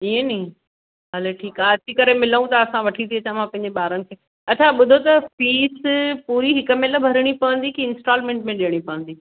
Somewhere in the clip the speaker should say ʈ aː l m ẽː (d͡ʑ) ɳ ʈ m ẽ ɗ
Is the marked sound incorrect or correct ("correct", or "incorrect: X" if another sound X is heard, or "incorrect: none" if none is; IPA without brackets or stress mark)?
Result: incorrect: none